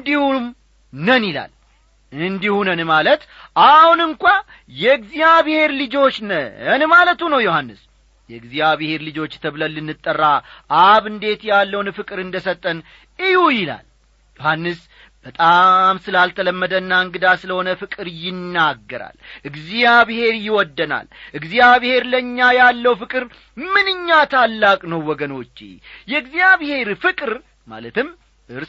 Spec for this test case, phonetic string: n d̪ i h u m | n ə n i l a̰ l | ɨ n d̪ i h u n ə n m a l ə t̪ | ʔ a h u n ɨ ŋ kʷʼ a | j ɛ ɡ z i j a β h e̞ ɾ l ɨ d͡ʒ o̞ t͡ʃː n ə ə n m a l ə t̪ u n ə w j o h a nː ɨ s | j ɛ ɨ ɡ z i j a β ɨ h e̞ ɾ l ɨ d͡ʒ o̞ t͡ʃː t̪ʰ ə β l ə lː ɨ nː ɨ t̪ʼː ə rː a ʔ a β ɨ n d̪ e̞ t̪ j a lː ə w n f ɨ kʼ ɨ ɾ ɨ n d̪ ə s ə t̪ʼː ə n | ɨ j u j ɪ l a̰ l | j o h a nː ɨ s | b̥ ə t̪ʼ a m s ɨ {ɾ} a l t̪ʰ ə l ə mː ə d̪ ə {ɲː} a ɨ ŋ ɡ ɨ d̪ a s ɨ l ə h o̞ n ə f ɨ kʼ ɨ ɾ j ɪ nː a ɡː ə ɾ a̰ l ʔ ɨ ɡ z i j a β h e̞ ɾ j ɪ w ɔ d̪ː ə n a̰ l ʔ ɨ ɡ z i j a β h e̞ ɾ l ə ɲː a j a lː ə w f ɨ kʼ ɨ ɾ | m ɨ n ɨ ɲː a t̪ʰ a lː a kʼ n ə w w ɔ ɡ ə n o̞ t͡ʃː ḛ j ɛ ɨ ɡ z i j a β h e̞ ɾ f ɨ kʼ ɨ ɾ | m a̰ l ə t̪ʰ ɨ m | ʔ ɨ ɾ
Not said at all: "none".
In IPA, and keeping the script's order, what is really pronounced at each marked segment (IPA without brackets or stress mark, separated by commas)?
l, nː